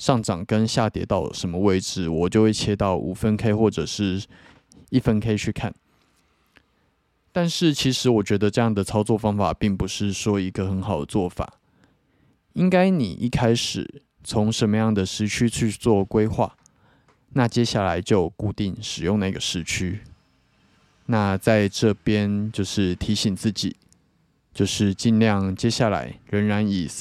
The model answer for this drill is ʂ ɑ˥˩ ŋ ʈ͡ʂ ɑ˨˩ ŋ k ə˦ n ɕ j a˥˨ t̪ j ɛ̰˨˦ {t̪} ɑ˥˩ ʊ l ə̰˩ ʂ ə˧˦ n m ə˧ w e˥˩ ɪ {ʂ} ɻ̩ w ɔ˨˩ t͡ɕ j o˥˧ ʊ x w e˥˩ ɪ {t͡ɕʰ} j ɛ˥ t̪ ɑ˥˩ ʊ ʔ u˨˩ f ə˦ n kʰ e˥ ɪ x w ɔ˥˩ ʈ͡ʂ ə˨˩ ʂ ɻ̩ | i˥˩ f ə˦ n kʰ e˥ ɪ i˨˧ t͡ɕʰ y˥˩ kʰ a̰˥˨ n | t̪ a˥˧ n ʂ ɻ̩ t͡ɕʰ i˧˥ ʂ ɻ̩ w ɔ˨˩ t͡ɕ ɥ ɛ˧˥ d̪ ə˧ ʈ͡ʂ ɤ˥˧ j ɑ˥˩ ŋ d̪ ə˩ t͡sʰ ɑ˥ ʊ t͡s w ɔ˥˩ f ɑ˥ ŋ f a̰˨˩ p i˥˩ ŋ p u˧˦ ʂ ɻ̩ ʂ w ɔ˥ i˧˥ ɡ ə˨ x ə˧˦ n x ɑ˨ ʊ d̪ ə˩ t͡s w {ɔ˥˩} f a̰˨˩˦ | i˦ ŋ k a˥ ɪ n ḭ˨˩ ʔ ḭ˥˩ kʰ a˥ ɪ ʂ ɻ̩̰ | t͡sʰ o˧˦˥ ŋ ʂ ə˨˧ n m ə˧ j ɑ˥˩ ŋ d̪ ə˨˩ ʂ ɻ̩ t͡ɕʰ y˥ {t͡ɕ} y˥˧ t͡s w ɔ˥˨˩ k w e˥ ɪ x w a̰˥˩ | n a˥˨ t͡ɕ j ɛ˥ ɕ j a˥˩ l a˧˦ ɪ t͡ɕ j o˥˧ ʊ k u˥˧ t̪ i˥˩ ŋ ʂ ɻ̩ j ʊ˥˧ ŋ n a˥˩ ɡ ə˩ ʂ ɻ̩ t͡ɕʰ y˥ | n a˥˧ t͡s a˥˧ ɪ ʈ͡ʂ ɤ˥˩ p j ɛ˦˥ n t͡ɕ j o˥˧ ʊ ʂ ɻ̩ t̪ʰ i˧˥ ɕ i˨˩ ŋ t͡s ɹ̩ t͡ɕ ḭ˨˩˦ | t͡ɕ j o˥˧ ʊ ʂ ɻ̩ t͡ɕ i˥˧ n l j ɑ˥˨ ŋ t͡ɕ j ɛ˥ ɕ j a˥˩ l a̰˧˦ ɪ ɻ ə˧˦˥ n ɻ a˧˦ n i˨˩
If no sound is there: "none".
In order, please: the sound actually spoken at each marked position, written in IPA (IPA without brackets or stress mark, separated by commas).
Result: t̪, ʈ͡ʂ, t͡ɕʰ, ɔ˥˩, t͡ɕʰ